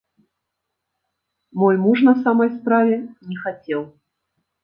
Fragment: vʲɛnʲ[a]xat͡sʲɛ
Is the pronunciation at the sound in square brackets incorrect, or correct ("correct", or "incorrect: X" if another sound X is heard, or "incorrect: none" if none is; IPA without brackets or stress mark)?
incorrect: ɛ